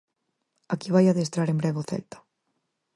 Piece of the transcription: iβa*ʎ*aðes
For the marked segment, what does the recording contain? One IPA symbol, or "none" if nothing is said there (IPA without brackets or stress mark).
j